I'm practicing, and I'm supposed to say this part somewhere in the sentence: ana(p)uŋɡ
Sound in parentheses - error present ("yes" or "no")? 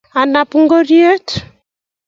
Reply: no